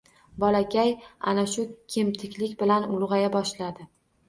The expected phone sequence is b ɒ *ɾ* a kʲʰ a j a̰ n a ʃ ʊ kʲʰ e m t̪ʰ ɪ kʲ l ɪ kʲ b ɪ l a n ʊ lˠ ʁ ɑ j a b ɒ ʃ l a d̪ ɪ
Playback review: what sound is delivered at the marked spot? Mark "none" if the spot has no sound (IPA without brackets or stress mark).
l